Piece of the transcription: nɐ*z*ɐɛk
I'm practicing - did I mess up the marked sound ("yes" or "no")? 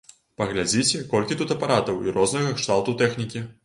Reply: yes